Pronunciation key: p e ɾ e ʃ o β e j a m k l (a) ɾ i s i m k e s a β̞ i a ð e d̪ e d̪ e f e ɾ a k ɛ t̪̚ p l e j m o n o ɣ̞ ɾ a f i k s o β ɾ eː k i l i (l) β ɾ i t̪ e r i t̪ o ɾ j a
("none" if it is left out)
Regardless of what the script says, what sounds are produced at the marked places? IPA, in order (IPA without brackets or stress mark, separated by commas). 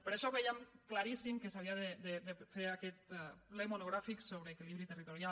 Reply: a, none